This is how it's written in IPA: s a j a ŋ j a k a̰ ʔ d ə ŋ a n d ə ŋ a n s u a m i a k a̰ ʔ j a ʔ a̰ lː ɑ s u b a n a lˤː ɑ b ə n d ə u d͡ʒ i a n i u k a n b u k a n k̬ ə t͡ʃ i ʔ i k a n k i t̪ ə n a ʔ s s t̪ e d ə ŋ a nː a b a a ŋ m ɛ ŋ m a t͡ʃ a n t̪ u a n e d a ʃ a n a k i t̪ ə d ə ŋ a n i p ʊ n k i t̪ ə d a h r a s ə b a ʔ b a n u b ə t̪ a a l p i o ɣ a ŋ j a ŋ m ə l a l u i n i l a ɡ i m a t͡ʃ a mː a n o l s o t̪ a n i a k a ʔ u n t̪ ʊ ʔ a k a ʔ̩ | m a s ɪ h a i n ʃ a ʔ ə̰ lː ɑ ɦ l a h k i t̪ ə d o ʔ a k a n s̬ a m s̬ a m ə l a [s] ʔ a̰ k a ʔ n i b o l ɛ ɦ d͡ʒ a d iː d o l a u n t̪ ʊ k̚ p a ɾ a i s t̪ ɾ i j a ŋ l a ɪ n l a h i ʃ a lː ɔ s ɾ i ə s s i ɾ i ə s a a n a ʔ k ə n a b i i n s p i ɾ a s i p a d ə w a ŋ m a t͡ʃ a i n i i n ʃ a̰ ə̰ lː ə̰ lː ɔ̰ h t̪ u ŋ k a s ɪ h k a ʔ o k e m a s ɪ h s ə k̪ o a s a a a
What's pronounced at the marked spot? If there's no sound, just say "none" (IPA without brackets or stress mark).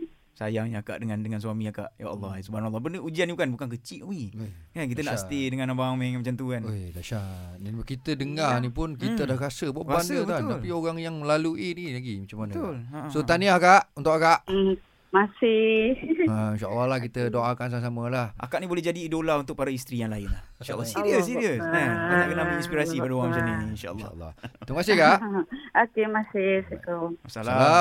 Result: h